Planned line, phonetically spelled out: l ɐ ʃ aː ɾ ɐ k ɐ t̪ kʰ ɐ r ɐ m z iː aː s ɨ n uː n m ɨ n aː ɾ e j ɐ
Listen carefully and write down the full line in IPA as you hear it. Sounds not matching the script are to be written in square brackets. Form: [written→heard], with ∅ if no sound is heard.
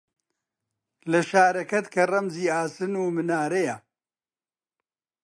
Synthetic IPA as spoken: l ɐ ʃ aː ɾ ɐ k ɐ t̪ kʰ ɐ r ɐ m z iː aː s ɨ n uː [n→∅] m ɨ n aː ɾ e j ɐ